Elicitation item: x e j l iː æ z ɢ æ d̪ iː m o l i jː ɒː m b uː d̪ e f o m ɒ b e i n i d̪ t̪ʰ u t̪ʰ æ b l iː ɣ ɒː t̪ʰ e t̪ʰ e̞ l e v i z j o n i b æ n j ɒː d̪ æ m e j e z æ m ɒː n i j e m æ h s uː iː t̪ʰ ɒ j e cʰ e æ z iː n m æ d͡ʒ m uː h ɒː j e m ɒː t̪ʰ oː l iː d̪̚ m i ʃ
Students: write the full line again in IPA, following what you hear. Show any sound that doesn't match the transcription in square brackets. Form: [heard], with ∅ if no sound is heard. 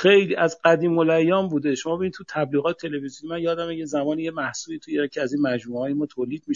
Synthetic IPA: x e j l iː æ z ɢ æ d̪ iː m o l [æ] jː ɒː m b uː d̪ e [ʃ] o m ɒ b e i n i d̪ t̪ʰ u t̪ʰ æ b l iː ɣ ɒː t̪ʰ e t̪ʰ e̞ l e v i z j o n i [m] æ n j ɒː d̪ æ m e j e z æ m ɒː n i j e m æ h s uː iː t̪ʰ [u] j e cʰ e æ z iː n m æ d͡ʒ m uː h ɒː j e m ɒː t̪ʰ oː l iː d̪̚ m i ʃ